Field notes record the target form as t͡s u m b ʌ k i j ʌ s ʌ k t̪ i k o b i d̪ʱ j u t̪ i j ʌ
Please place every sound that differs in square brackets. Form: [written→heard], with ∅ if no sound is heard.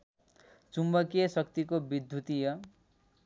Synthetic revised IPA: t͡s u m b ʌ k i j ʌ s ʌ k t̪ i k o b i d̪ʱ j u t̪ i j ʌ